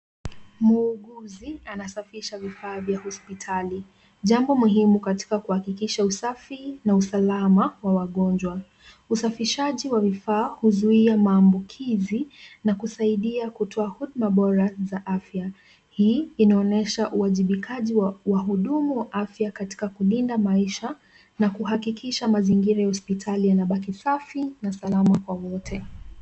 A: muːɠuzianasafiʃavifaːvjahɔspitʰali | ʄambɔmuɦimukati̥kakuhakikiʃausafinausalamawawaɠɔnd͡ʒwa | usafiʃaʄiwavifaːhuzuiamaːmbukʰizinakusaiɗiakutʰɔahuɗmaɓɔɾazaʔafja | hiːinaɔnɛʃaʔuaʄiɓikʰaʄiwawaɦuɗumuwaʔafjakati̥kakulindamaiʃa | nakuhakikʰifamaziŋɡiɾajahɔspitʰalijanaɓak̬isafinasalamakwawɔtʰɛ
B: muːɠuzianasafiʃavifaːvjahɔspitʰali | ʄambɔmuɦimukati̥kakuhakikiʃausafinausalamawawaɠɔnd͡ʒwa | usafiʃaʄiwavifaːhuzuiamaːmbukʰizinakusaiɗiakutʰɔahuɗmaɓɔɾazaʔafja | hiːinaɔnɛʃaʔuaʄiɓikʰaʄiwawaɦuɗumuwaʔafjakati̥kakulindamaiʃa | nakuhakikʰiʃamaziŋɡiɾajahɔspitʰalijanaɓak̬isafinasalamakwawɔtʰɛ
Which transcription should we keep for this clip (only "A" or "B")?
B